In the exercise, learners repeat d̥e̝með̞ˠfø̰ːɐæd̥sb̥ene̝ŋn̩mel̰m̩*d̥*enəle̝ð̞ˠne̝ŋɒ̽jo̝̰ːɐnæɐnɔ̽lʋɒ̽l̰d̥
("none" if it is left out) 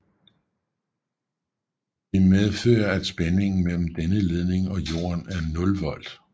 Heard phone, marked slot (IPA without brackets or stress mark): d̥